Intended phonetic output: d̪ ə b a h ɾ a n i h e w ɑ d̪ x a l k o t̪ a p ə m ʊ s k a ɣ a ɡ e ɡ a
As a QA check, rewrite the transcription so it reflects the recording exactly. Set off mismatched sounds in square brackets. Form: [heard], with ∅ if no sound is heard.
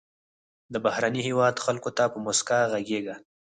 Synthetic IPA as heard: d̪ ə b a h ɾ a n i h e w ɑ d̪ x a l k o t̪ a p ə m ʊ s k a ɣ a ɡ e ɡ a